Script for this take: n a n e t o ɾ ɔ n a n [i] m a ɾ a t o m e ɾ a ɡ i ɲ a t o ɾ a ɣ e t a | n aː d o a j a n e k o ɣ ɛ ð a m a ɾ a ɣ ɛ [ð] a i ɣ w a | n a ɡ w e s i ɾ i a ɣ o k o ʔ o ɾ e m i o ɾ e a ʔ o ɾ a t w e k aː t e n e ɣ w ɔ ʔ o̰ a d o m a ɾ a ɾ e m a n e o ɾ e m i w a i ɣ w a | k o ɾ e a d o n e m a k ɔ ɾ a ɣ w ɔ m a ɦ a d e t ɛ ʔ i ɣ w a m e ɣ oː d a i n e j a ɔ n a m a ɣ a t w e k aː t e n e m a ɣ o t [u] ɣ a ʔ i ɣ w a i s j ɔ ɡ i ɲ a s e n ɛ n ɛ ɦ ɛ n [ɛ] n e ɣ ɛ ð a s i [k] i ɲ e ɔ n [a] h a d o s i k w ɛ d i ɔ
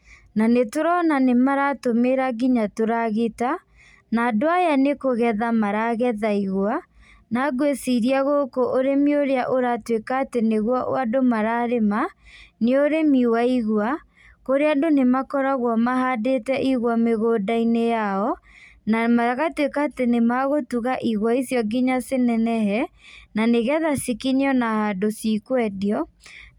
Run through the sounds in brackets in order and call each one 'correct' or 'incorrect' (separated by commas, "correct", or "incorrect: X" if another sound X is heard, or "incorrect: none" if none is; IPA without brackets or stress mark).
incorrect: e, correct, correct, incorrect: a, correct, correct